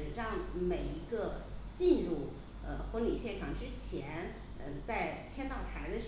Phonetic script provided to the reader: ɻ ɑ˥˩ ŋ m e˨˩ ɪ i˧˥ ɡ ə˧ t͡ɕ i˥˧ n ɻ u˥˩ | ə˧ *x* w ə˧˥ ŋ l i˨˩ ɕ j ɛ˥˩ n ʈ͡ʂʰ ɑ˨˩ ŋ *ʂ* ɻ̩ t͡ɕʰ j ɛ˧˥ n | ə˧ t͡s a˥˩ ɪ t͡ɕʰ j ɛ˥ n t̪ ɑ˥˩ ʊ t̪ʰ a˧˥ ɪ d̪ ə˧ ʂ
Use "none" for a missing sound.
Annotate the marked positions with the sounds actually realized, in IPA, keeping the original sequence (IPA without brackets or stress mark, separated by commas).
x, ʈ͡ʂ